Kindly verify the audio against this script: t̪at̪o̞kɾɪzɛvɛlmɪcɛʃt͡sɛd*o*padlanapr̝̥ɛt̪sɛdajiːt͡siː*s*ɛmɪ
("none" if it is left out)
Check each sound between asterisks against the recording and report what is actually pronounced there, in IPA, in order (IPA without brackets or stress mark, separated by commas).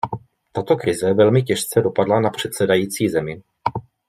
o, z